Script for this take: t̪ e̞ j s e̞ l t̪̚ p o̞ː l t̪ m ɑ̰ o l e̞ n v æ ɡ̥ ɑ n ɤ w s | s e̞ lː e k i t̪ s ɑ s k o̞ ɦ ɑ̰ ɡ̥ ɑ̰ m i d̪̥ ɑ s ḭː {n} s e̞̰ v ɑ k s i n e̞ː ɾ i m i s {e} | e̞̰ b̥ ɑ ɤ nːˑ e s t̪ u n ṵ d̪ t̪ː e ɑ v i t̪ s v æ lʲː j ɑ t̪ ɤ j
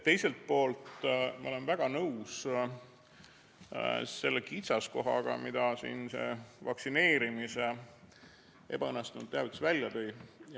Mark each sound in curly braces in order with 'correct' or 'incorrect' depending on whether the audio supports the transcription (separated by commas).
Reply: correct, correct